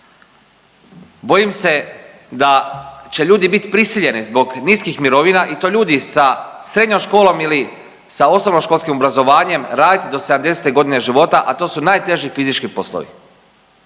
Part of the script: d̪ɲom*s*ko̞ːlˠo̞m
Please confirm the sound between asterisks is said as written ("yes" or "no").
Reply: no